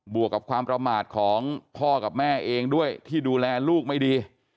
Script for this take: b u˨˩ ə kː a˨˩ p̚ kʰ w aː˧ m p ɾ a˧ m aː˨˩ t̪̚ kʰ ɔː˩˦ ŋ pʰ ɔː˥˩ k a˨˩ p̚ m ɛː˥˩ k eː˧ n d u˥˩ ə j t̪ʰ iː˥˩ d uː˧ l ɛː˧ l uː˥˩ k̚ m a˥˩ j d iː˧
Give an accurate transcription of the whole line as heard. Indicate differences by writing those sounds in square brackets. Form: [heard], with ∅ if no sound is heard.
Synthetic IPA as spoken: b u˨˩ ə kː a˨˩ p̚ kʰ w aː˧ m p ɾ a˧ m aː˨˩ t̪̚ kʰ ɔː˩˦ ŋ pʰ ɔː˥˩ k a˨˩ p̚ m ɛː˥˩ [ʔ] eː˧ [ŋ] d u˥˩ ə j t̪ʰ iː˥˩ d uː˧ l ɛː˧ l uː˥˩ k̚ m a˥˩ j d iː˧